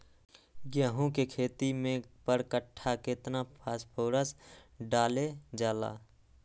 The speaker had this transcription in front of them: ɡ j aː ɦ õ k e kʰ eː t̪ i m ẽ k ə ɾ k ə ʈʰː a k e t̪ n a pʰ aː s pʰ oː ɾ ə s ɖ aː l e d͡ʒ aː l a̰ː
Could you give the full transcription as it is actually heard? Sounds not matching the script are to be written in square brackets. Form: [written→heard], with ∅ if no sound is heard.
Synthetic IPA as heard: ɡ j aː ɦ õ k e kʰ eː t̪ i m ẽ [k→p] ə ɾ k ə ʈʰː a k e t̪ n a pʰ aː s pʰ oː ɾ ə s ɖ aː l e d͡ʒ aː l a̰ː